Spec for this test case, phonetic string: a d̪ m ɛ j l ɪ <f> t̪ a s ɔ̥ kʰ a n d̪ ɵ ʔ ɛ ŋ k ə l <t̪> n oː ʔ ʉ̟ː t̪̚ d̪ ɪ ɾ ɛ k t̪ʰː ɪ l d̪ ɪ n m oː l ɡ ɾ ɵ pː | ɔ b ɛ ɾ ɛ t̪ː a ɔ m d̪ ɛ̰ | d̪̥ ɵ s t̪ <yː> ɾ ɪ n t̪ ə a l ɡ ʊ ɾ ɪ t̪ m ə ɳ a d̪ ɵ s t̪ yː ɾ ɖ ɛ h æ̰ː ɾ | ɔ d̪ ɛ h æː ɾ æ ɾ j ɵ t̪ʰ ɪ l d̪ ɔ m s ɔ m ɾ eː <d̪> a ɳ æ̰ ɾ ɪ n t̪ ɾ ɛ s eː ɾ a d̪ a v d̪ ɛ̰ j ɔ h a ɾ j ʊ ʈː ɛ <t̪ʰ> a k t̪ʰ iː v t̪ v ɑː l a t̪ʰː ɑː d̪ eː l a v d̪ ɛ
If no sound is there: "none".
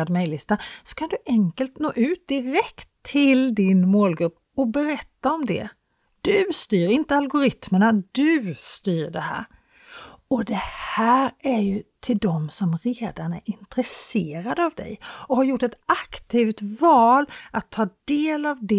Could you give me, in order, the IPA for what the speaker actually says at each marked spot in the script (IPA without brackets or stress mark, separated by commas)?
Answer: s, t̪, yː, d̪, t̪